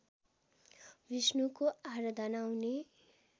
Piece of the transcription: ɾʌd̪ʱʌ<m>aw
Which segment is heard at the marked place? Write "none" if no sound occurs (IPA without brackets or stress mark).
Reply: n